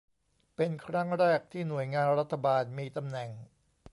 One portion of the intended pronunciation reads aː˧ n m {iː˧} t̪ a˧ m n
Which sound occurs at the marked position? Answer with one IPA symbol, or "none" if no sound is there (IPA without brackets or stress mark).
iː˧